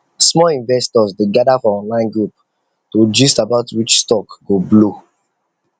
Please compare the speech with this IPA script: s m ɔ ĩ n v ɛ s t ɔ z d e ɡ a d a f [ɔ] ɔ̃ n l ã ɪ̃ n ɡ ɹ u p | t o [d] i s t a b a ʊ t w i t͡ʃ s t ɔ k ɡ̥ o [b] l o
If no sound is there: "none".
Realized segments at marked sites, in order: ɔ, d͡ʒ, b

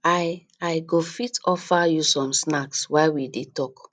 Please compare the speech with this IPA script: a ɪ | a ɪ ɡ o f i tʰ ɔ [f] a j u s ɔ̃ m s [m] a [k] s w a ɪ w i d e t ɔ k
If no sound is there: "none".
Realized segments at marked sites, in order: f, n, k

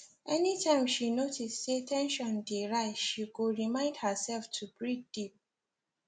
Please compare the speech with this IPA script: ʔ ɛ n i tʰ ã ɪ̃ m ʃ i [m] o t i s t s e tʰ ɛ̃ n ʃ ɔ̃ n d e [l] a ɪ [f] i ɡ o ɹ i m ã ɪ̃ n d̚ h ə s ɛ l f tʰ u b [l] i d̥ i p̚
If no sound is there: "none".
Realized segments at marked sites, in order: n, ɹ, ʃ, ɹ

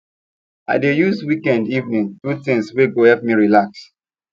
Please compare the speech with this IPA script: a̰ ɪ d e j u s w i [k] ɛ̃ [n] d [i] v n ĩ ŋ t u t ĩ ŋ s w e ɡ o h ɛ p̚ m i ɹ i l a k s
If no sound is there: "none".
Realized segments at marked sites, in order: k, n, i

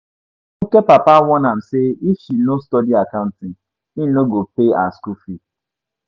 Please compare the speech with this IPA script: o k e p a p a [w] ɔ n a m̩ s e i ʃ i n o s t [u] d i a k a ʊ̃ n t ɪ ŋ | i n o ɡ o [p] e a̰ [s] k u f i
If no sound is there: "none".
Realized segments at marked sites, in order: w, ɔ, p, s

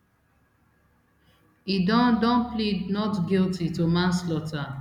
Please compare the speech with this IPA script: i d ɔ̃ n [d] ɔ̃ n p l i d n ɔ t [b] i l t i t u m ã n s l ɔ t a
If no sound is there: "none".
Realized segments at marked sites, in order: d, ɡ

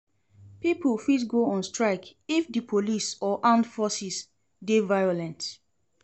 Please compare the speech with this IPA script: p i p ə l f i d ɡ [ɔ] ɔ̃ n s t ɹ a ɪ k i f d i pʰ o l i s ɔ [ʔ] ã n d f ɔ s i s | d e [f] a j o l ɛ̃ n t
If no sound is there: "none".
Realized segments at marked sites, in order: o, ʔ, v

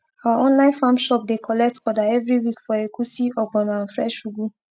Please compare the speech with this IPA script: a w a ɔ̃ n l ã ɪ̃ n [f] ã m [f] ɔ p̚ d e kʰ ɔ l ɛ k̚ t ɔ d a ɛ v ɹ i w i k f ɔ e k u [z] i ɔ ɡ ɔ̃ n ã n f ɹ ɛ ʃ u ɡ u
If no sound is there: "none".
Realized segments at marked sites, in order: f, ʃ, s

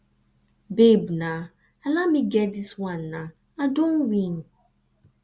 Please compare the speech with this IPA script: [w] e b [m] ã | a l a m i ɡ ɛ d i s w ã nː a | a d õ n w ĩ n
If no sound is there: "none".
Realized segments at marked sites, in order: b, n

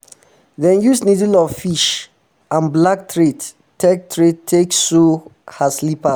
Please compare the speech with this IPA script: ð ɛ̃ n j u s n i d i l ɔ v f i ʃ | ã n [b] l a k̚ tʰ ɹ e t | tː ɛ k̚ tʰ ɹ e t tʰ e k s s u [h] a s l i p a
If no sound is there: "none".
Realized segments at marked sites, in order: b, h

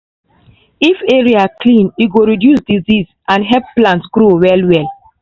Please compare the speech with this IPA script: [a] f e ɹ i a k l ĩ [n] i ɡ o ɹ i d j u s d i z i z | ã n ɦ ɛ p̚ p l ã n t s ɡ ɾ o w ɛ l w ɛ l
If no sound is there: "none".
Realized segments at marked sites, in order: i, n

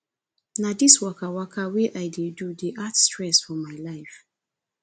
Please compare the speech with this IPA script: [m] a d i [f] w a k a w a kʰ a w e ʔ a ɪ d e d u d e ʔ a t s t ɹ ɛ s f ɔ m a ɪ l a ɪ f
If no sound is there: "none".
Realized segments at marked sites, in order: n, s

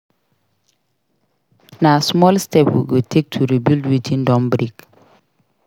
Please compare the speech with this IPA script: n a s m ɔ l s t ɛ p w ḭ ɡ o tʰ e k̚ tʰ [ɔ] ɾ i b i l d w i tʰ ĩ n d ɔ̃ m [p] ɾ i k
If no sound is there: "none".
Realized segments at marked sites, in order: u, b

